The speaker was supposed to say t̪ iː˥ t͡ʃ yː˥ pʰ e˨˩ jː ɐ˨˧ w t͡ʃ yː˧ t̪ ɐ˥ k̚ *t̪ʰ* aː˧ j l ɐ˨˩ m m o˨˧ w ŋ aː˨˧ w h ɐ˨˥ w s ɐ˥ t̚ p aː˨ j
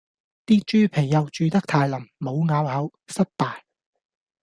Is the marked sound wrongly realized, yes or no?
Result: no